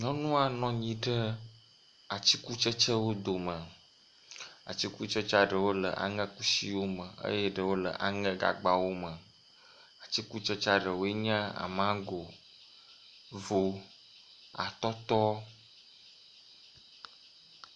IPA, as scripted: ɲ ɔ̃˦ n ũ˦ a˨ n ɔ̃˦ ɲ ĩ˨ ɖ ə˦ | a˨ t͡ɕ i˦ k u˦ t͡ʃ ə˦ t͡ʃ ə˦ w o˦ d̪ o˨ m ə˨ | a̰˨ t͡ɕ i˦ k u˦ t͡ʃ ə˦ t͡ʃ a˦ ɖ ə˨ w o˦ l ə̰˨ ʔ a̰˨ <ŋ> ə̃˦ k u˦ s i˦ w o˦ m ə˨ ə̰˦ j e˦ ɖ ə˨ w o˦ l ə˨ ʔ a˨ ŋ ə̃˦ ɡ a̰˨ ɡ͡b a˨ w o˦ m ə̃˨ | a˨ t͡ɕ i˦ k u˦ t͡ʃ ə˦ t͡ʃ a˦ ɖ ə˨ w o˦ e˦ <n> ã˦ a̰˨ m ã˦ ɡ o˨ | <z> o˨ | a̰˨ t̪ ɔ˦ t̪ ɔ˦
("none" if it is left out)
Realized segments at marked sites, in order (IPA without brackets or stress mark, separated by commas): ŋ, ɲ, v